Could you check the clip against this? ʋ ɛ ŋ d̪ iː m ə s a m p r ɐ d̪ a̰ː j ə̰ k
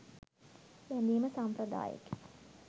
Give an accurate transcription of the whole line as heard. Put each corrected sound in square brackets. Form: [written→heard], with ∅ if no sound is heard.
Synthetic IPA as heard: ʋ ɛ [ŋ→n] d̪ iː m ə s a m p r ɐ d̪ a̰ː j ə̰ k